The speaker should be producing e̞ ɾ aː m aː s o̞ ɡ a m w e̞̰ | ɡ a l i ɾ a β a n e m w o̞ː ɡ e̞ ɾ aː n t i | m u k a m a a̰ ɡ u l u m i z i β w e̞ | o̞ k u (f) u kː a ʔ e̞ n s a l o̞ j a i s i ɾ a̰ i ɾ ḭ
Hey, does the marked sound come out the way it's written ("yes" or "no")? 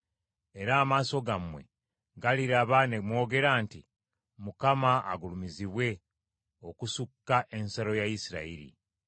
no